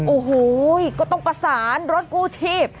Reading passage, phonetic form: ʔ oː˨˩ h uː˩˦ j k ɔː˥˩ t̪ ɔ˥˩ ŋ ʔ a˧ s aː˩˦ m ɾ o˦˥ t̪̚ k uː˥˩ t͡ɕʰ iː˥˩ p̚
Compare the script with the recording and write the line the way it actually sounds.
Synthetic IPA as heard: ʔ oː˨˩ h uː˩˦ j k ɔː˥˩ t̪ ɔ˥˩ ŋ p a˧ s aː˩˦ n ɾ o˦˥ t̪̚ k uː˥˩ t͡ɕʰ iː˥˩ p̚